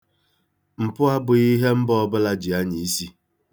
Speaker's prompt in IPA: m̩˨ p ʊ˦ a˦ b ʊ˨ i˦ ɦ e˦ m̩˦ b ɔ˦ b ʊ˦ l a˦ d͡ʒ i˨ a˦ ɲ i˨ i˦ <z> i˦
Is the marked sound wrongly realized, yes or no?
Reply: yes